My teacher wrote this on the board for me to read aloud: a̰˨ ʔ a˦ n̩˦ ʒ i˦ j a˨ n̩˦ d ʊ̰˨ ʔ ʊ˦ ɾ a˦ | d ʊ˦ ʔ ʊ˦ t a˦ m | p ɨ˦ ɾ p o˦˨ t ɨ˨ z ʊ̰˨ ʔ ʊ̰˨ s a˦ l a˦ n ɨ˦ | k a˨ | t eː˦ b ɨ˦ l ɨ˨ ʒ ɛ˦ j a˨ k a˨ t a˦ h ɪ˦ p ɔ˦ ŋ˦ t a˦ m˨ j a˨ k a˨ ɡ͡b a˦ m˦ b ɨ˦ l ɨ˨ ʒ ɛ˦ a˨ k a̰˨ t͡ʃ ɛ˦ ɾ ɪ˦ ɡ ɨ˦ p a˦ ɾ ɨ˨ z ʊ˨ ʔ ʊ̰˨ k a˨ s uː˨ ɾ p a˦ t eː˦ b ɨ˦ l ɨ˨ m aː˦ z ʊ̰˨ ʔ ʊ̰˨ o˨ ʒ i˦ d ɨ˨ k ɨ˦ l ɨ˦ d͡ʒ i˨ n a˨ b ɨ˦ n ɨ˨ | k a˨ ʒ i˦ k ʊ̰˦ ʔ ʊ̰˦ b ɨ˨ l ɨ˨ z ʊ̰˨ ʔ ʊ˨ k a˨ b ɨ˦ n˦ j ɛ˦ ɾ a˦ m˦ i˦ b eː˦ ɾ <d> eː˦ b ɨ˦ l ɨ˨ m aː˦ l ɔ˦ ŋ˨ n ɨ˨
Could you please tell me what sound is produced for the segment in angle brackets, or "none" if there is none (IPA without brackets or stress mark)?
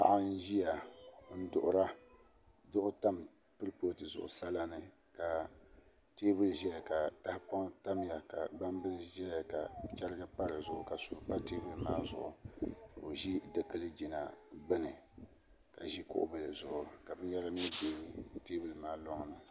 t